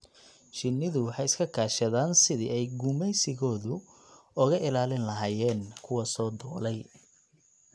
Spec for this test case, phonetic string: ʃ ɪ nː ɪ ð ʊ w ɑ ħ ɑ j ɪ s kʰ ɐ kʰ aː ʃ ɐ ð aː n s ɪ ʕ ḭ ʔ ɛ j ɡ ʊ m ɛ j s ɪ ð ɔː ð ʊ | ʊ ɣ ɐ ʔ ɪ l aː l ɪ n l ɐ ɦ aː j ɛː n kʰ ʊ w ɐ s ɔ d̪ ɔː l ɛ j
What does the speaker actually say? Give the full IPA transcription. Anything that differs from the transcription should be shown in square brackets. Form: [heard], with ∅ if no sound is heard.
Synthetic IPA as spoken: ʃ ɪ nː ɪ ð ʊ w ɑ ħ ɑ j ɪ s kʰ ɐ kʰ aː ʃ ɐ ð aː n s ɪ [ð] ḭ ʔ ɛ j ɡ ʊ m ɛ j s ɪ [ɣ] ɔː ð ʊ | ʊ ɣ ɐ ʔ ɪ l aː l ɪ n l ɐ ɦ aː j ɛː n kʰ ʊ w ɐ s [ɔː] d̪ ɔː l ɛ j